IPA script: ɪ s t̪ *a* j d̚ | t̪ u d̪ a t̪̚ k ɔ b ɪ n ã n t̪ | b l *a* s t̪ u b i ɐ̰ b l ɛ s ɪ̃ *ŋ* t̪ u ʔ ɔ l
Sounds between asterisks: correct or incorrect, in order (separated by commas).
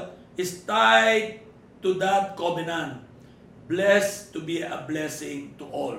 correct, incorrect, correct